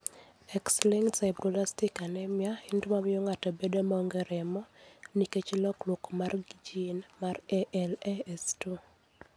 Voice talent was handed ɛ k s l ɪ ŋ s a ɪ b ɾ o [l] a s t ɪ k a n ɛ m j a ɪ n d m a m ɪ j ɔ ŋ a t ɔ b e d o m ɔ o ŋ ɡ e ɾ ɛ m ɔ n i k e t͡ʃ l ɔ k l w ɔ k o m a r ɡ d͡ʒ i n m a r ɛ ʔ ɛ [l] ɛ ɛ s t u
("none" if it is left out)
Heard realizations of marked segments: l, l

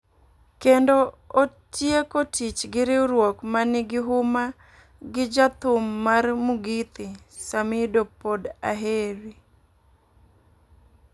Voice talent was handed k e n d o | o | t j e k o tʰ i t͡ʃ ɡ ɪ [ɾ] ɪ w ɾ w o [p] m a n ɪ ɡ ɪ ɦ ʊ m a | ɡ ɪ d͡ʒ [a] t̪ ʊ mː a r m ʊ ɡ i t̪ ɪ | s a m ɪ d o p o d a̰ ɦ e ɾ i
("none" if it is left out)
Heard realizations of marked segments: ɾ, k, a

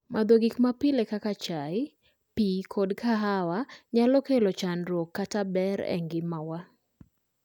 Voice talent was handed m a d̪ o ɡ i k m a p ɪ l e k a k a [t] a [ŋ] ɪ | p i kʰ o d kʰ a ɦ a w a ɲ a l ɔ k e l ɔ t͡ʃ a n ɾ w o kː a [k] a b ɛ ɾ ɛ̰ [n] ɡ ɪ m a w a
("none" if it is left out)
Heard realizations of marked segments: t͡ʃ, none, t, ŋ

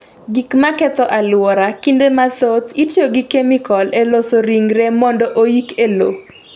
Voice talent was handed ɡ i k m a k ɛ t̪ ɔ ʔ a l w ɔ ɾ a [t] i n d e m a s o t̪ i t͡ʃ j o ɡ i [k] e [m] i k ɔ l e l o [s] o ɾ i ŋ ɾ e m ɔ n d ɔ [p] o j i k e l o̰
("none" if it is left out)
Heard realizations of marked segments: k, k, m, s, ʔ

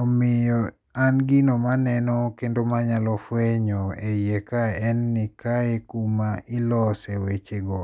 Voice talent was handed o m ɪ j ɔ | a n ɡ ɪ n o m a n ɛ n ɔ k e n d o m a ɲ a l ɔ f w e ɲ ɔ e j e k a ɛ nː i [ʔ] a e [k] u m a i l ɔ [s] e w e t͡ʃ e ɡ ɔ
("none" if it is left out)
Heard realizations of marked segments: k, k, s

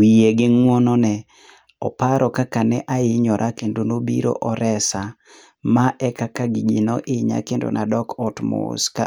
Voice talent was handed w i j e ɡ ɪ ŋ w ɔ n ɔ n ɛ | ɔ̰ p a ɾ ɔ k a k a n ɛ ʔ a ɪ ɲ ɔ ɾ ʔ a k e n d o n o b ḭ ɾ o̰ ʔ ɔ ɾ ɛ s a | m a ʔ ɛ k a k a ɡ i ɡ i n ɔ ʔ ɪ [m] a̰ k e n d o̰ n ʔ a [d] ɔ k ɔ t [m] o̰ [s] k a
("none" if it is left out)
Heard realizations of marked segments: ɲ, d, m, s

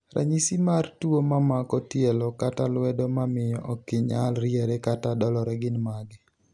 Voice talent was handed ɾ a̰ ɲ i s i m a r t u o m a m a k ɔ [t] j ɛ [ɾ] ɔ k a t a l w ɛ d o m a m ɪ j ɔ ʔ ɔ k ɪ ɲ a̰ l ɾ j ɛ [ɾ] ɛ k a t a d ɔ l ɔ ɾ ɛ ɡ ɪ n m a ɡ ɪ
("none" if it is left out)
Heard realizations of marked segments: t, l, ɾ

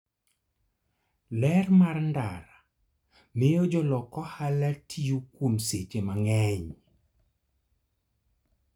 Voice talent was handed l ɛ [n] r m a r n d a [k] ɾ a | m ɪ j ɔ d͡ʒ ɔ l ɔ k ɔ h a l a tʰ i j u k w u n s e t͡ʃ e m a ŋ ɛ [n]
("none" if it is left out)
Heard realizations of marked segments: none, none, ɲ

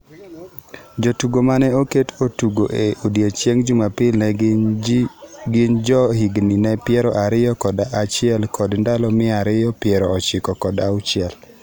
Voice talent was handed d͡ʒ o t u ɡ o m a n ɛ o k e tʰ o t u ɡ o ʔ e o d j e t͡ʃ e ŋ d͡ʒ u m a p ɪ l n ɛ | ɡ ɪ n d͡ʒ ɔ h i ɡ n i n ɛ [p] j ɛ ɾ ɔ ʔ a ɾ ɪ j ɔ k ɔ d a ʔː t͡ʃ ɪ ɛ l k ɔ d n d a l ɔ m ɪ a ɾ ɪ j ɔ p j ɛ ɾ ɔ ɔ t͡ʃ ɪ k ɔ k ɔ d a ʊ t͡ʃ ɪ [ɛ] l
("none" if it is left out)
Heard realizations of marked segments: p, ɛ

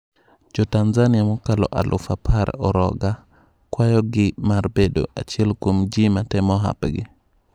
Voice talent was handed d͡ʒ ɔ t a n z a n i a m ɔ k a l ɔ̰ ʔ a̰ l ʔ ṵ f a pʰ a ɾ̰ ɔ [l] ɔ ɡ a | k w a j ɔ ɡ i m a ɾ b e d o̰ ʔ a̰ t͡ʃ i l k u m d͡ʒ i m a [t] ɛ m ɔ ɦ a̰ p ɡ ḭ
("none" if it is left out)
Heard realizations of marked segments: ɾ, t

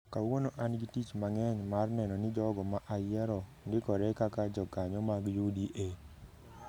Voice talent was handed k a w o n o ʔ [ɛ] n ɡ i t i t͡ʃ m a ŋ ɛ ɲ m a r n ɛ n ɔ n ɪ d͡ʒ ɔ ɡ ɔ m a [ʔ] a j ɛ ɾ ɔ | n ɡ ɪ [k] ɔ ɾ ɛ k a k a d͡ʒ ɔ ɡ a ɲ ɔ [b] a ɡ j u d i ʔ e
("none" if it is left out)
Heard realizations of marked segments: a, ʔ, k, m

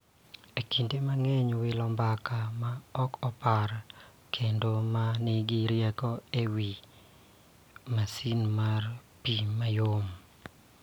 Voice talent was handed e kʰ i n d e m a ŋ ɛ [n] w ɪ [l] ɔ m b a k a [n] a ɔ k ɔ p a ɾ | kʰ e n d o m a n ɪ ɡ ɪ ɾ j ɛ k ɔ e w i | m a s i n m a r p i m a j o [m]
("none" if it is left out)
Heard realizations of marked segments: ɲ, l, m, m

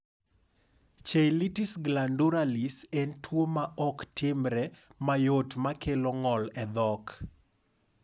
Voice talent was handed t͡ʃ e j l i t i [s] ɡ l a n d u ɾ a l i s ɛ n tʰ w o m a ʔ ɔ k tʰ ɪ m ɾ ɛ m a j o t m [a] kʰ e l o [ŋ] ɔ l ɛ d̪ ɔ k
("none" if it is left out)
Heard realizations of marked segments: s, a, ŋ

